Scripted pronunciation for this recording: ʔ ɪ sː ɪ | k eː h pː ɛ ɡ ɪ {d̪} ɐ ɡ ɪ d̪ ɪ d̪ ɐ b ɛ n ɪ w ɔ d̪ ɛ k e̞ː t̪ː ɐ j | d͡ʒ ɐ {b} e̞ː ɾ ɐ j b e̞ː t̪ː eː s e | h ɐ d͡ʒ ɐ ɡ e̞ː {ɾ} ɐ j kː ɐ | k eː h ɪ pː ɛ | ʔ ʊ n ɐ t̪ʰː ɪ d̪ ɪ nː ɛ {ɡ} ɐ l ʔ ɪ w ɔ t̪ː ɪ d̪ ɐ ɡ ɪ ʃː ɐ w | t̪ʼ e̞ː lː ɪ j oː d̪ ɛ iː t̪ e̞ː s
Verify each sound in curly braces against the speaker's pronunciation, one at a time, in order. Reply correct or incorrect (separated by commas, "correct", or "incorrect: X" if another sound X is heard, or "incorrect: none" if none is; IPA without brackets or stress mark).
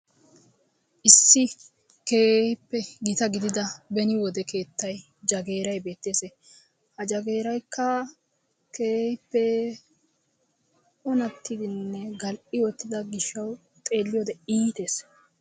incorrect: t̪, incorrect: ɡ, correct, correct